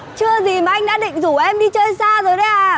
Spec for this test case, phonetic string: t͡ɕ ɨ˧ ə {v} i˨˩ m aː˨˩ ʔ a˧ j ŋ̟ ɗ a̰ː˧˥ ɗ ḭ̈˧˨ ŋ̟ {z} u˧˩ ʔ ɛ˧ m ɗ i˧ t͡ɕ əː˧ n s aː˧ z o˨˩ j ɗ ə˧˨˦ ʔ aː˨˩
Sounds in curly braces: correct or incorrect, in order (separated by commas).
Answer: incorrect, correct